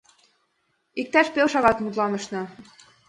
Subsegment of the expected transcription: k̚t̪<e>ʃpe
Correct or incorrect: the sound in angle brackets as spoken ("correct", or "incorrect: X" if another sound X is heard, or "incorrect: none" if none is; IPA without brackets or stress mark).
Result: incorrect: æ